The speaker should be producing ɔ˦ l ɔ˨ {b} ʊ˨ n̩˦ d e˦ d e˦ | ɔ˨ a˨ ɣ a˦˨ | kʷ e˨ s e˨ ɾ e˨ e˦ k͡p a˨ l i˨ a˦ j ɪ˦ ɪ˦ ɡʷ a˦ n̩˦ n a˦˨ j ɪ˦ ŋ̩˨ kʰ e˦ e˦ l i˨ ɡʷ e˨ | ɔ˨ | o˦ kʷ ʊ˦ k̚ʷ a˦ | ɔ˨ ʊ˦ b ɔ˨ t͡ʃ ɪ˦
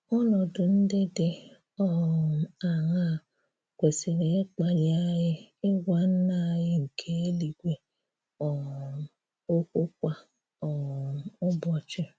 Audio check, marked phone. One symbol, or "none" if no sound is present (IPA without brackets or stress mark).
d